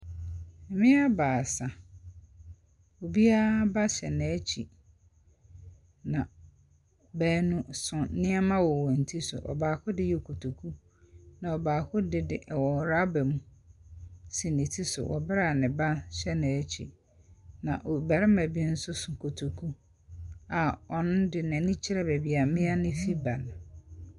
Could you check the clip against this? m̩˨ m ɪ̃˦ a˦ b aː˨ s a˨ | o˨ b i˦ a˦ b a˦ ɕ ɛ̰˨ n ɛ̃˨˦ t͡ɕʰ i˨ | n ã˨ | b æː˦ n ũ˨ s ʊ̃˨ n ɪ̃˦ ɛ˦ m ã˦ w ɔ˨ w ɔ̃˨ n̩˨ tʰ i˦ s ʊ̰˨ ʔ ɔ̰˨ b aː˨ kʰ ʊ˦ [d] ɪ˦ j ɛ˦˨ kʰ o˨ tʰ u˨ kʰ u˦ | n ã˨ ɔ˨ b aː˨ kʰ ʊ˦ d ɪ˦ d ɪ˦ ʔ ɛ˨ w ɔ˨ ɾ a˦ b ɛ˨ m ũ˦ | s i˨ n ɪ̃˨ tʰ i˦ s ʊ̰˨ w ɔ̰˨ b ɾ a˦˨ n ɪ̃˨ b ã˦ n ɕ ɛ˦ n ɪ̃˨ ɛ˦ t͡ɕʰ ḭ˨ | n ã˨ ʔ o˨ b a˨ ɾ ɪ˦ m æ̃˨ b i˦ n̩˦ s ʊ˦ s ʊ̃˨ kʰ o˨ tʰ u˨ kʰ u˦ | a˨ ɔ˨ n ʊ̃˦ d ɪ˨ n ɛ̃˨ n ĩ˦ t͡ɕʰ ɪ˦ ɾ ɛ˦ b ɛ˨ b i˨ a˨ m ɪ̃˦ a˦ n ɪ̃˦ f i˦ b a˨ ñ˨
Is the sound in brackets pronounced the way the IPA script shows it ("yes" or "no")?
yes